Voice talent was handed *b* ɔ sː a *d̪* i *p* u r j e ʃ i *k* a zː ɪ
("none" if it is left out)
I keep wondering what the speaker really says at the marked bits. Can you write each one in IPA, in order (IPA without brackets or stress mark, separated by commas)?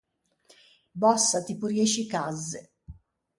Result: b, t̪, p, k